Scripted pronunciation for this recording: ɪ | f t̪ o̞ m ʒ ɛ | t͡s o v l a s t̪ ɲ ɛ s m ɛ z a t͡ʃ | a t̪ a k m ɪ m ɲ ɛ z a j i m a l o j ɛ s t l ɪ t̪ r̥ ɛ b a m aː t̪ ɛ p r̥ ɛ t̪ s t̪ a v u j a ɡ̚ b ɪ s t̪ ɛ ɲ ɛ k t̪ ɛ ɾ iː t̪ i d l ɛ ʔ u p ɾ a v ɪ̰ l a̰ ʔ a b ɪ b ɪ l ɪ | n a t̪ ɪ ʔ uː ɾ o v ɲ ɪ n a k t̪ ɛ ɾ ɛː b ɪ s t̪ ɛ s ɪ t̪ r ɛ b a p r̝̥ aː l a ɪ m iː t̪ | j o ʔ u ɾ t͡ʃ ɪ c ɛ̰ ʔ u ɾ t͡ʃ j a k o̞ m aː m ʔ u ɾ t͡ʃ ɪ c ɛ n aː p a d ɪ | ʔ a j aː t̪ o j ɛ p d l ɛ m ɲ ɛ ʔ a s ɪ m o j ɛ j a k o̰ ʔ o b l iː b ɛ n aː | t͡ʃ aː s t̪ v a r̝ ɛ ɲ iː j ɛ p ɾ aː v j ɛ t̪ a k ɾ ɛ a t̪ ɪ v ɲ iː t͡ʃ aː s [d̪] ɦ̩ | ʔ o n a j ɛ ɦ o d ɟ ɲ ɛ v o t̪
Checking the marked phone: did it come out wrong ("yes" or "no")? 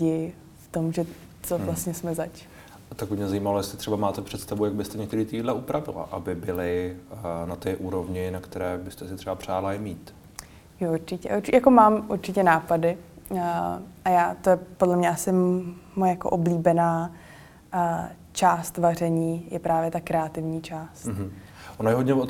yes